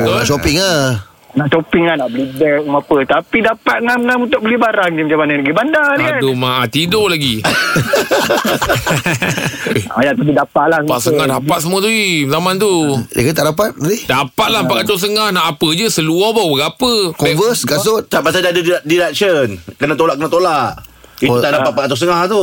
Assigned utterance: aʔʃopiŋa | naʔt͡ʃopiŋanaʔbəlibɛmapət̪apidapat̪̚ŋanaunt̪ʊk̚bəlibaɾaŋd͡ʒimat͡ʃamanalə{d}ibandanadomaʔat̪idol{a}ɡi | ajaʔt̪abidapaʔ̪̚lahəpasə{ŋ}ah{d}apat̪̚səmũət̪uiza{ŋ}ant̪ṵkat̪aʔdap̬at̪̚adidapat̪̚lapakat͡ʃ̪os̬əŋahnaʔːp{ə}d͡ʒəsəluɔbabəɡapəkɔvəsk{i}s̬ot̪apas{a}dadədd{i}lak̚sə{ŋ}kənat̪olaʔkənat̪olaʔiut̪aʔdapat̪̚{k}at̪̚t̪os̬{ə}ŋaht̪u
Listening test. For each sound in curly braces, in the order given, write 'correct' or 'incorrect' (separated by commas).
incorrect, correct, correct, correct, incorrect, correct, incorrect, correct, correct, incorrect, incorrect, correct